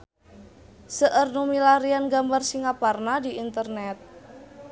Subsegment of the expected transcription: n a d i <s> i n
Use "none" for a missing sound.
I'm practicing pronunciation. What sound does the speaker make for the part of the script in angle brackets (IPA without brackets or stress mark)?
none